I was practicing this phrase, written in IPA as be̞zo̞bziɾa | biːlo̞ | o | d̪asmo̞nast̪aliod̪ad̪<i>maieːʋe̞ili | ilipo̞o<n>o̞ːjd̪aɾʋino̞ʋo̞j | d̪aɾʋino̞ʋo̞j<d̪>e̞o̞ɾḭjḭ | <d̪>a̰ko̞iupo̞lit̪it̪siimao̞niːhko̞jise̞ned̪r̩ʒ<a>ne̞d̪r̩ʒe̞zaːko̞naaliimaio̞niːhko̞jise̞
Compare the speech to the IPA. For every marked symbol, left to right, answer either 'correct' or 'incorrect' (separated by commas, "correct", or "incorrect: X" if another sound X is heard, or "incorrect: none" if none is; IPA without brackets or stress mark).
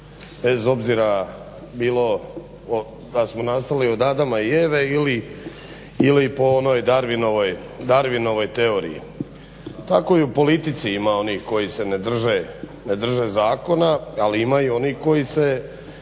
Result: incorrect: a, correct, incorrect: t̪, incorrect: t̪, incorrect: e